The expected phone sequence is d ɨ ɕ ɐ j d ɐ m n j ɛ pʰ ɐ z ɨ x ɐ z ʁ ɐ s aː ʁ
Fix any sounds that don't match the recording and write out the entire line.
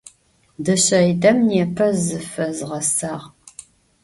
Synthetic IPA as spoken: d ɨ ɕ ɐ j d ɐ m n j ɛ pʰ ɐ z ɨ f ɐ z ʁ ɐ s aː ʁ